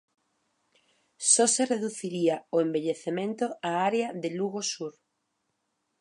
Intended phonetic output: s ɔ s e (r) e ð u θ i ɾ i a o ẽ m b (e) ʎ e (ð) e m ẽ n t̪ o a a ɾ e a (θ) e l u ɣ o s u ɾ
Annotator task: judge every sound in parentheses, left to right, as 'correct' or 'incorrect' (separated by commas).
correct, correct, incorrect, incorrect